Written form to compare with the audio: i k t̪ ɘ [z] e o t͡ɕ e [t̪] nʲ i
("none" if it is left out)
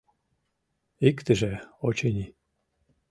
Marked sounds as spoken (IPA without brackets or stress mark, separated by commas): ʒ, none